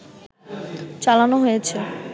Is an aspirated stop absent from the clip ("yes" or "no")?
no